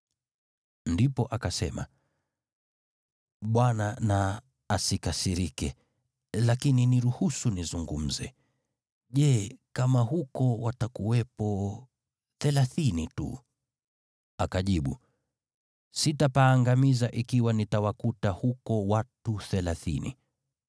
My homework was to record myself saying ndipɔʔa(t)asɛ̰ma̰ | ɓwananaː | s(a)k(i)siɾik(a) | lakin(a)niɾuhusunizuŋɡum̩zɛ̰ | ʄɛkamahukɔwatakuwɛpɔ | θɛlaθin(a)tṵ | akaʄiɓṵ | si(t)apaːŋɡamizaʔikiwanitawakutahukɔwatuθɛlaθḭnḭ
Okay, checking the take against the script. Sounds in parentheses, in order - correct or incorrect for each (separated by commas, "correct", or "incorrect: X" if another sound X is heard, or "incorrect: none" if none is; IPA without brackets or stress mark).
incorrect: k, incorrect: i, incorrect: a, incorrect: ɛ, incorrect: i, incorrect: i, correct